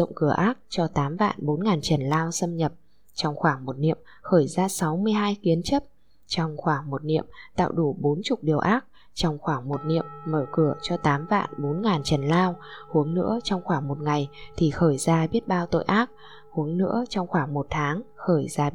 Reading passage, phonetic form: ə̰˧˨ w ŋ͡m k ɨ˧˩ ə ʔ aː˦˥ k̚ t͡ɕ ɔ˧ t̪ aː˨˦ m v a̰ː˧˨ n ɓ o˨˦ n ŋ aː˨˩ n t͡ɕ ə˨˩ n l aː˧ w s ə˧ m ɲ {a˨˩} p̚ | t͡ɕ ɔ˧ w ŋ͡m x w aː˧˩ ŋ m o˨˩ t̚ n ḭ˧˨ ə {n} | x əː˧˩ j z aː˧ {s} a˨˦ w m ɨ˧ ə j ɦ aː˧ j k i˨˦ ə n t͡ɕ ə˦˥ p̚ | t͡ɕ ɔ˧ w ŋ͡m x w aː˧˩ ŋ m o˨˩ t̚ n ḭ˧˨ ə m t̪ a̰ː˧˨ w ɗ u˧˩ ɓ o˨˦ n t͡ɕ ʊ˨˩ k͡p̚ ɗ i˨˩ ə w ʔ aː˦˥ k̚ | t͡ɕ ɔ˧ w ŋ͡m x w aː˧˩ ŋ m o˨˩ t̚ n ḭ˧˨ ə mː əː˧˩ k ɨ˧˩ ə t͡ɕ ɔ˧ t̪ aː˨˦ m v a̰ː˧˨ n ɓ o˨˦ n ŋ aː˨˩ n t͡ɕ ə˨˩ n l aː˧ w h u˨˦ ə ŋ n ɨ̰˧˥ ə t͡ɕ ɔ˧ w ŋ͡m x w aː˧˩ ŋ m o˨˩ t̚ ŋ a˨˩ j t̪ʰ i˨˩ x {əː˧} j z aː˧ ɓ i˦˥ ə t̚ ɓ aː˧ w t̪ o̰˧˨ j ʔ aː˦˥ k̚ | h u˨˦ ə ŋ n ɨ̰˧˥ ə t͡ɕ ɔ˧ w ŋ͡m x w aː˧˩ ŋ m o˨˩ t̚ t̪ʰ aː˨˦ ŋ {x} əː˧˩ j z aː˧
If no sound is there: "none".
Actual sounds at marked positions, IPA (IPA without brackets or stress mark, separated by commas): ə˨˩, m, s, əː˧˩, x